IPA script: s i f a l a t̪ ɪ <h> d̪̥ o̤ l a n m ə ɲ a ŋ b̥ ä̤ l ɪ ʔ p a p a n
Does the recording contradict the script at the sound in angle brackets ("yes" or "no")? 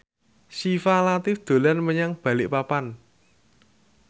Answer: yes